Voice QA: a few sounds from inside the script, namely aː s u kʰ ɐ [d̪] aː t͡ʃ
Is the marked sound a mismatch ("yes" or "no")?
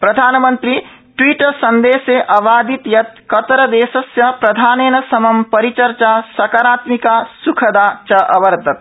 no